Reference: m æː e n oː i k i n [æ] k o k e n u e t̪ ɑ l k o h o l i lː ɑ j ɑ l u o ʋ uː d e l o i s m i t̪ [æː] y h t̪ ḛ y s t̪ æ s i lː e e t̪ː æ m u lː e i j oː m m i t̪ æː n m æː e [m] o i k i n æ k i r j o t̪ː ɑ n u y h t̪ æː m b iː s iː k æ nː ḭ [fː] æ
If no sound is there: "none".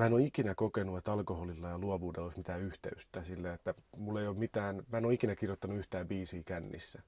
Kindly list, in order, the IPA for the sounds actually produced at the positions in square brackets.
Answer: æ, æː, n, sː

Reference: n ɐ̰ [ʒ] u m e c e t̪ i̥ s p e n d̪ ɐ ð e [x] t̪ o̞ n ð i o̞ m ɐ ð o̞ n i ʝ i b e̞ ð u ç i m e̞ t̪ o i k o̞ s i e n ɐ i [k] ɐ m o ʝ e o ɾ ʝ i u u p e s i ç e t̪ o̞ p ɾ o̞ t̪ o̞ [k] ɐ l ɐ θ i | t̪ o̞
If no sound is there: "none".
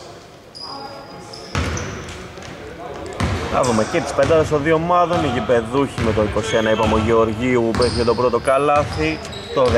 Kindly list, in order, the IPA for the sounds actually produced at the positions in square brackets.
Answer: ð, s, p, k

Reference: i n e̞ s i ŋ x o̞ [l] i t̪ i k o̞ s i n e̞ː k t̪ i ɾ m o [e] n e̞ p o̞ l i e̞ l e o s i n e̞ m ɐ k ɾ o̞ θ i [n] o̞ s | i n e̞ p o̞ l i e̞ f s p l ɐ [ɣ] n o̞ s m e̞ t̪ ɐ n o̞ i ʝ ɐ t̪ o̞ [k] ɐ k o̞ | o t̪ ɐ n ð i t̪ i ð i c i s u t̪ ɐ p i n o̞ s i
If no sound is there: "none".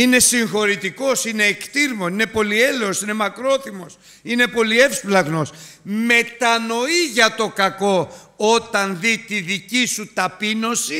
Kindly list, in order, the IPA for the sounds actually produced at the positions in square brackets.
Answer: ɾ, i, m, ɣ, k

